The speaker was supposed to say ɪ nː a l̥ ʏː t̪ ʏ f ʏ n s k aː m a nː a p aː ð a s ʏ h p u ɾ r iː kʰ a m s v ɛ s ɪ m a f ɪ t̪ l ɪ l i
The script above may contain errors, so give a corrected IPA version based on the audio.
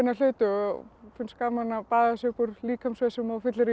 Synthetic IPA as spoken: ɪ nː a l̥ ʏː t̪ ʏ f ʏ n s k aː m a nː a p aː ð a s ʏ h p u ɾ l iː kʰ a m s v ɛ s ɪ m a f ɪ t̪ l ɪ ɾ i